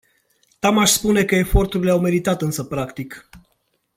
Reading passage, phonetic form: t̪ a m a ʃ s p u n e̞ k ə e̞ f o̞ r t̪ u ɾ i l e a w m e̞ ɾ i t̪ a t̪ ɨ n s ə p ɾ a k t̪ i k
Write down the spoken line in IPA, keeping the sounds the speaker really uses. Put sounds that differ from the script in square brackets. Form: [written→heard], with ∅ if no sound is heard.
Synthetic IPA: t̪ a m a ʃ s p u n e̞ k ə e̞ f o̞ r t̪ u ɾ i l e a w m e̞ ɾ i t̪ a t̪ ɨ n s ə p ɾ a k t̪ i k